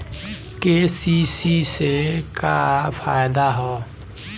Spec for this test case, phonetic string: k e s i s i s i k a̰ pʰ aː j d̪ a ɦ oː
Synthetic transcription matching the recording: k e s i s i s e k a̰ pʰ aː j d̪ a ɦ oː